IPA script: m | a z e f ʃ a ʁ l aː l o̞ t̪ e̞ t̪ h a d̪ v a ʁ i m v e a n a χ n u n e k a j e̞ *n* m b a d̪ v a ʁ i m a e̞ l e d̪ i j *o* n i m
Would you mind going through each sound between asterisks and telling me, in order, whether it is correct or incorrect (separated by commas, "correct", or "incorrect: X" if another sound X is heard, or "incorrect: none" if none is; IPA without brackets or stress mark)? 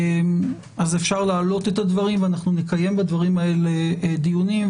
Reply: incorrect: none, incorrect: u